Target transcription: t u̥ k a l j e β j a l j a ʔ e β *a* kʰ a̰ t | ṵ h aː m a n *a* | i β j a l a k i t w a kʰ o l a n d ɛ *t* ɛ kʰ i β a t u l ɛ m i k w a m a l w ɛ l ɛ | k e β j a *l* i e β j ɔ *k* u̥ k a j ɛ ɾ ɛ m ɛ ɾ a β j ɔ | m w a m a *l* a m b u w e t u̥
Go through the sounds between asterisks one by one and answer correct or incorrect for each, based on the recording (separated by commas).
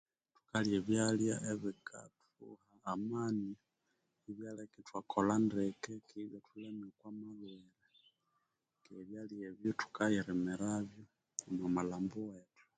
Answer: incorrect, incorrect, incorrect, correct, incorrect, correct